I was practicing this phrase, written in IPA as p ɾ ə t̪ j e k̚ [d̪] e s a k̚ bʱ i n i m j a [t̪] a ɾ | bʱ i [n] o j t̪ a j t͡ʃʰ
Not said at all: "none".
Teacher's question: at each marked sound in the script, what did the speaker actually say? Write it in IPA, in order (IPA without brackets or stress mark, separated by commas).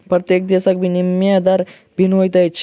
d̪, d̪, n